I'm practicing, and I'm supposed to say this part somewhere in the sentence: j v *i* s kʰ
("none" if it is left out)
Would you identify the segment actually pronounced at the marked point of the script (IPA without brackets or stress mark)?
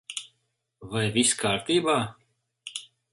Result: i